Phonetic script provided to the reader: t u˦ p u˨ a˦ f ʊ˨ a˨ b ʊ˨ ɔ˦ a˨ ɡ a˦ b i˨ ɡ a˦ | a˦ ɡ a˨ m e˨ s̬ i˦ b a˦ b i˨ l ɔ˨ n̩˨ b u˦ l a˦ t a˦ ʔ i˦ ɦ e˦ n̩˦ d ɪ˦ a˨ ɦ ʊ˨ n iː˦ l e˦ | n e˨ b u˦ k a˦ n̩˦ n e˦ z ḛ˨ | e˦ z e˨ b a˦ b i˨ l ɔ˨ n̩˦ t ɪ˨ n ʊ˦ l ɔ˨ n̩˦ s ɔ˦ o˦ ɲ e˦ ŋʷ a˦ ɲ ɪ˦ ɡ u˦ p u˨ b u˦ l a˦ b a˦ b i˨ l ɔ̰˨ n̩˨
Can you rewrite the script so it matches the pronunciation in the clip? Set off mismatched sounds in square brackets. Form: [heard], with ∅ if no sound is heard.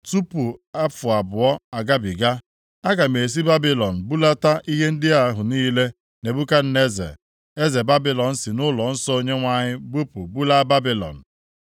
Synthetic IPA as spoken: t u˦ p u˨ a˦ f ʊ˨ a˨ b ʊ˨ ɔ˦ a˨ ɡ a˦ b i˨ ɡ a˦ | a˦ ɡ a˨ m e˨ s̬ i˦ b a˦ b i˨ l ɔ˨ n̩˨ b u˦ l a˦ t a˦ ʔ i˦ ɦ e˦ n̩˦ d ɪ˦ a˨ ɦ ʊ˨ n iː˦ l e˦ | n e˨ b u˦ k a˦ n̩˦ n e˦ z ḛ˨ | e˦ z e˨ b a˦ b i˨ l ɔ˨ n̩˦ [s] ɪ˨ n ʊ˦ l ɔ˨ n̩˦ s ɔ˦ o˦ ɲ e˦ ŋʷ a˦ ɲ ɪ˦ [b] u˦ p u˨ b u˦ l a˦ b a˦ b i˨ l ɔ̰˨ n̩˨